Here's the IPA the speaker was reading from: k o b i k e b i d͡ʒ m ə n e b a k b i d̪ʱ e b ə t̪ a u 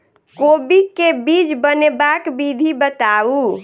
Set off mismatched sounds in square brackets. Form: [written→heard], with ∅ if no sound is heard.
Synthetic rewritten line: k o b i k e b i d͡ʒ [m→b] ə n e b a k b i d̪ʱ [e→i] b ə t̪ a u